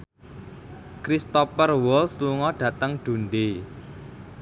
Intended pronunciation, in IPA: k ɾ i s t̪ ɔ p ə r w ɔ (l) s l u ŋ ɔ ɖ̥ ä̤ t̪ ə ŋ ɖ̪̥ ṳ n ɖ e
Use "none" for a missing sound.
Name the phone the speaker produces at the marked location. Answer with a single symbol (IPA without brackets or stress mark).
l